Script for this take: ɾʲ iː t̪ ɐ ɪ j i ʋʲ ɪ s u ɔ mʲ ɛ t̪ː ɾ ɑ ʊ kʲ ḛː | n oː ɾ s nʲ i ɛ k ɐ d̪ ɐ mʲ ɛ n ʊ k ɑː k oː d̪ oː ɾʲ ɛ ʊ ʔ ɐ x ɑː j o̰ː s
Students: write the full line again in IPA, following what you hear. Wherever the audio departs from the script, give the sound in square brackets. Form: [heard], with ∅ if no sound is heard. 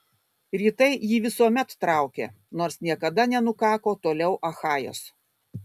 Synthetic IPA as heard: ɾʲ iː t̪ ɐ ɪ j [iː] ʋʲ ɪ s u ɔ mʲ ɛ t̪ː ɾ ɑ ʊ kʲ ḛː | n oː ɾ s nʲ i ɛ k ɐ d̪ ɐ [nʲ] ɛ n ʊ k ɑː k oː [t̪] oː [lʲ] ɛ ʊ ʔ ɐ x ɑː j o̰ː s